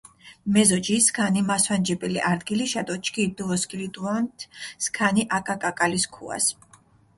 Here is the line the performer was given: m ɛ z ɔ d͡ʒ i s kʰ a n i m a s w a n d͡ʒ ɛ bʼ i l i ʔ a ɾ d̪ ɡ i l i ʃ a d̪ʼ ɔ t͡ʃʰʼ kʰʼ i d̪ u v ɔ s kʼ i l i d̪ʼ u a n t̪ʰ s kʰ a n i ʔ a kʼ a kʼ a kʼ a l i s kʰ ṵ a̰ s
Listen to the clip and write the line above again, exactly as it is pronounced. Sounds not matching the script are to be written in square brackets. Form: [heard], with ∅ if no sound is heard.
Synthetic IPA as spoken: m ɛ z ɔ d͡ʒ i s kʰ a n i m a s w a n d͡ʒ ɛ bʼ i l i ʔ a ɾ d̪ ɡ i l i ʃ a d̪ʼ ɔ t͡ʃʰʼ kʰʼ i d̪ u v ɔ s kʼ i l i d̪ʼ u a n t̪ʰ s kʰ a n i ʔ a kʼ a kʼ a kʼ a l i s kʰ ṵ a̰ s